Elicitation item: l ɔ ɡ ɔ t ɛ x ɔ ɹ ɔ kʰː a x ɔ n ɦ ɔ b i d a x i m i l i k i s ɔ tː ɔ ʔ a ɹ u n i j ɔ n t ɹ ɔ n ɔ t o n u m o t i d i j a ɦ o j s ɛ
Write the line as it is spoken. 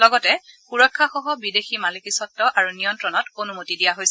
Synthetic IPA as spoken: l ɔ ɡ ɔ t ɛ x u ɹ ɔ kʰː a x ɔ ɦ ɔ b i d e x i m a l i k i s ɔ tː ɔ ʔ a ɹ u n i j ɔ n t ɹ ɔ n ɔ t o n u m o t i d i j a ɦ o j s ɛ